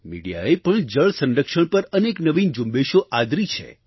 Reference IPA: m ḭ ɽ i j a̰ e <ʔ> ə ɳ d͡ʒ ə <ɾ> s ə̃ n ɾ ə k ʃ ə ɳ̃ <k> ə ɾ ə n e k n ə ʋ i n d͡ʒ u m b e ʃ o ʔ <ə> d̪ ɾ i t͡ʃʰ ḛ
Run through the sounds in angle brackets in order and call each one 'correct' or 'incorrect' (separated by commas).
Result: incorrect, incorrect, incorrect, incorrect